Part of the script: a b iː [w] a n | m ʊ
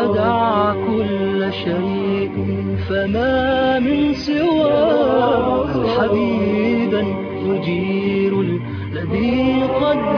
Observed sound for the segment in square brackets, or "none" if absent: b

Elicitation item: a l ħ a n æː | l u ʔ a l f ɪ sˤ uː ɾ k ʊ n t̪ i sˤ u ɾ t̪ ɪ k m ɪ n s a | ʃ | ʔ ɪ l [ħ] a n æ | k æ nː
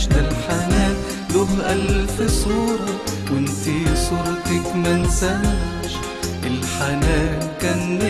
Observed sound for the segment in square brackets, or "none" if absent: ħ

